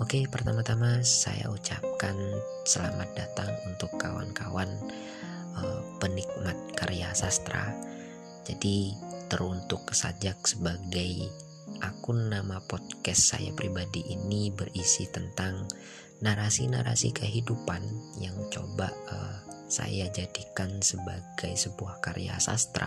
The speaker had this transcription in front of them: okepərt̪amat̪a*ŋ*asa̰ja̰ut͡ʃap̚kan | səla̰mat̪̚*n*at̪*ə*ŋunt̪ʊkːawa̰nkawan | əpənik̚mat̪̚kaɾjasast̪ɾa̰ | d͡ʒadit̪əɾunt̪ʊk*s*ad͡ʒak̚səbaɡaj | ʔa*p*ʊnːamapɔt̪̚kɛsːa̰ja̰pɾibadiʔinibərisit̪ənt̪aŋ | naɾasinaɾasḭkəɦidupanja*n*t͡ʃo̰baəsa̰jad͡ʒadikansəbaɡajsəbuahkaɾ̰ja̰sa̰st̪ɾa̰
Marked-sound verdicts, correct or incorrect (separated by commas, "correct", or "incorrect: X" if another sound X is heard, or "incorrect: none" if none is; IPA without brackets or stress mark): incorrect: m, incorrect: d, incorrect: a, correct, incorrect: k, incorrect: ŋ